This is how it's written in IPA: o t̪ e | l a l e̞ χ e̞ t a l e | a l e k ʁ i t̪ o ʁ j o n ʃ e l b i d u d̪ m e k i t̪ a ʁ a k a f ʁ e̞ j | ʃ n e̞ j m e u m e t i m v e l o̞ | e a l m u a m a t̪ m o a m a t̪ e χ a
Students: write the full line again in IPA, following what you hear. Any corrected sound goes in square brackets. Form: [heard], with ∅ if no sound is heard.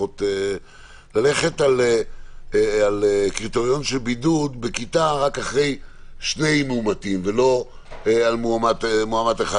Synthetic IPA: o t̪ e | l a l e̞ χ e̞ t a l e | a l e k ʁ i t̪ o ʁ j o n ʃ e l b i d u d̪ [b] e k i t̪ a ʁ a k a [χ] ʁ e̞ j | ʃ n e̞ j m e u m [a] t i m v e l o̞ | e a l m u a m a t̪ m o a m a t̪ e χ a